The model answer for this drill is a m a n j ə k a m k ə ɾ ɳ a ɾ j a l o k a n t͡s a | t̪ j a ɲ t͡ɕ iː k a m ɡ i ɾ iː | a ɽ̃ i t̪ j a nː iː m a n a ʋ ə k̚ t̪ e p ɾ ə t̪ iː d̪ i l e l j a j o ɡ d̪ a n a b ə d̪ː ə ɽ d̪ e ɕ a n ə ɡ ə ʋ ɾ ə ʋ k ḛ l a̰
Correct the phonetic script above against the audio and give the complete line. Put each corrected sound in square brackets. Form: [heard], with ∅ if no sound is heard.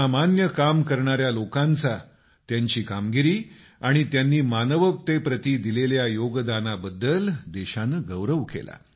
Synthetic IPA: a m a n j ə k a m k ə ɾ ɳ a ɾ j a l o k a n t͡s a | t̪ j a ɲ t͡ɕ iː k a m ɡ i ɾ iː | a ɽ̃ i t̪ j a nː iː m a n [ə] ʋ ə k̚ t̪ e p ɾ ə t̪ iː d̪ i l e l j a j o ɡ d̪ a n a b ə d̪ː ə [l] d̪ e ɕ a n ə ɡ ə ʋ ɾ ə ʋ k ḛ l a̰

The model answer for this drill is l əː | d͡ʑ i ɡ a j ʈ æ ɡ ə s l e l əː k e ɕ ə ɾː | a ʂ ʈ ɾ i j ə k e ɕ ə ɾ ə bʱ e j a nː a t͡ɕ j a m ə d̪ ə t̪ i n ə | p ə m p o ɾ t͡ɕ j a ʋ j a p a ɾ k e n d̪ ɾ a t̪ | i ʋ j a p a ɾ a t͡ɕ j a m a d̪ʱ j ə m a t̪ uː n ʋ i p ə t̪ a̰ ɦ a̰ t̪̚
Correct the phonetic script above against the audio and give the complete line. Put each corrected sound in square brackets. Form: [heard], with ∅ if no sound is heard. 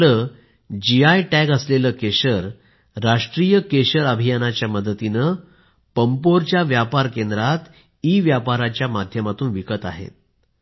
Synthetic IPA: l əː | d͡ʑ i [∅] a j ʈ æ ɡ ə s l e l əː k e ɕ ə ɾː | a ʂ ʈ ɾ i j ə k e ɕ ə ɾ ə bʱ [i] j a [n] a t͡ɕ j a m ə d̪ ə t̪ i n ə | p ə m p o ɾ t͡ɕ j a ʋ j a p a ɾ k e n d̪ ɾ a t̪ | i ʋ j a p a ɾ a t͡ɕ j a m a d̪ʱ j ə m a t̪ uː n ʋ i [k] ə t̪ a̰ ɦ [ḛ] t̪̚

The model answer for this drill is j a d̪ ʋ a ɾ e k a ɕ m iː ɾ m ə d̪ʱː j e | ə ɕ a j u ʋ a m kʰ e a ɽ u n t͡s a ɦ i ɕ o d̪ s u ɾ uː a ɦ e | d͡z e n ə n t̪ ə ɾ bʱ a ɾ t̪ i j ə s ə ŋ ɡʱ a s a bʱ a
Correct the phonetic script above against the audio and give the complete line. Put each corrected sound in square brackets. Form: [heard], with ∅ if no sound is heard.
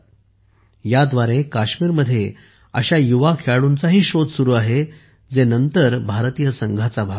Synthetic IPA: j a d̪ ʋ a ɾ e k a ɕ m iː ɾ m ə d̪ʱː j e | ə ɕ a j u ʋ a [∅] kʰ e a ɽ u n t͡s a ɦ [iː] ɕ o d̪ s u ɾ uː a ɦ e | d͡z e n ə n t̪ ə ɾ bʱ a ɾ t̪ i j ə s ə ŋ ɡʱ a [t͡s] a bʱ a

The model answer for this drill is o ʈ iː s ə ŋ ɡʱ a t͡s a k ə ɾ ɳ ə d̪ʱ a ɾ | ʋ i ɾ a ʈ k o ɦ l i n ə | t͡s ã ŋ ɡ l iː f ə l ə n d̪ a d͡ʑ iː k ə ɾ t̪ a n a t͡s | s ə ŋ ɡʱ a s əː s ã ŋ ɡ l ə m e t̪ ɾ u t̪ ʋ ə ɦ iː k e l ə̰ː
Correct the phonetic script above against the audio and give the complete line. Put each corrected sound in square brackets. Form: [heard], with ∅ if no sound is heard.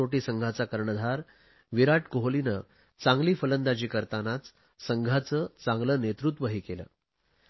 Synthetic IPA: o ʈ iː s ə ŋ ɡʱ a t͡s a k ə ɾ ɳ ə d̪ʱ a ɾ | ʋ i ɾ a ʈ k o ɦ l i n ə | t͡s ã ŋ ɡ l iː f ə l ə n d̪ a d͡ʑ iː k ə ɾ t̪ a n a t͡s | s ə ŋ ɡʱ a [t͡s] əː [t͡s] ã ŋ ɡ l ə [n] e t̪ ɾ u t̪ ʋ ə ɦ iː k e l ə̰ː

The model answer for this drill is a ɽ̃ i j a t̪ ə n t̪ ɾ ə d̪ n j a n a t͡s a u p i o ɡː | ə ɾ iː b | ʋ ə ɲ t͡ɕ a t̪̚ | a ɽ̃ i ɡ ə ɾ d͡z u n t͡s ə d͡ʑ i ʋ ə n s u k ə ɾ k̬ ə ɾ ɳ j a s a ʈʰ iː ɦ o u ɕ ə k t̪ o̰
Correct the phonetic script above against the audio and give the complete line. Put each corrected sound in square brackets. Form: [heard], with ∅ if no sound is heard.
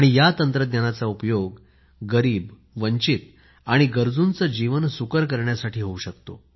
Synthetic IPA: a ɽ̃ i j a t̪ ə n t̪ ɾ ə d̪ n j a n a t͡s a u p [j] o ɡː | ə ɾ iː b | ʋ ə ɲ t͡ɕ [i] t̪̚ | a ɽ̃ i ɡ ə ɾ d͡z u n t͡s ə d͡ʑ i ʋ ə n s u k ə ɾ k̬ ə ɾ ɳ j a s a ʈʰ iː ɦ o u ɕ ə k t̪ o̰

